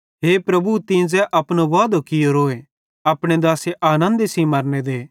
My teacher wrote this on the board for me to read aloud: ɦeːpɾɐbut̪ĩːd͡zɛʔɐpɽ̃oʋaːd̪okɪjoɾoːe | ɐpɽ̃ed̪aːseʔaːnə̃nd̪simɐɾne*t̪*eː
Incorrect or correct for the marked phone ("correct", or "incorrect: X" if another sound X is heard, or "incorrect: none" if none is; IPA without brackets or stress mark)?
incorrect: d̪